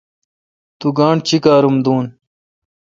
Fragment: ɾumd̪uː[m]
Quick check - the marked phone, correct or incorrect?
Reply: incorrect